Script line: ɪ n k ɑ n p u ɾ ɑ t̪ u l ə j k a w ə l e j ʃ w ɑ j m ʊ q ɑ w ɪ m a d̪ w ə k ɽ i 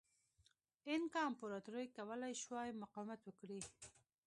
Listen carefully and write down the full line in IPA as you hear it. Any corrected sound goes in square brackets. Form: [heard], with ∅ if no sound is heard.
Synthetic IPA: ɪ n k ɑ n p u ɾ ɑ t̪ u [ɾ] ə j k a w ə l [a] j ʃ w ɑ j m ʊ q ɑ w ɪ m a [t̪] w ə k ɽ i